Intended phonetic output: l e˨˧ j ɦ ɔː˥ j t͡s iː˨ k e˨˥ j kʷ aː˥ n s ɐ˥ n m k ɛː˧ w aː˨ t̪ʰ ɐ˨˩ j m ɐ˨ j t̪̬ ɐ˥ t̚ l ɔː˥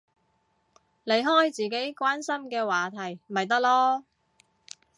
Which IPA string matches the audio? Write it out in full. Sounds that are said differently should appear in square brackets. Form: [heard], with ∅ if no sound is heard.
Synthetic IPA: l e˨˧ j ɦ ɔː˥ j t͡s iː˨ k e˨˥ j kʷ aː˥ n s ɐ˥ [∅] m k ɛː˧ w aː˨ t̪ʰ ɐ˨˩ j m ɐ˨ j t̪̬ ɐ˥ [k̚] l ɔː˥